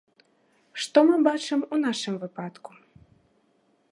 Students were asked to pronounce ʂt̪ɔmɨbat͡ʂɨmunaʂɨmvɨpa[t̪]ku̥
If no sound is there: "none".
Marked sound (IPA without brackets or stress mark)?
t̪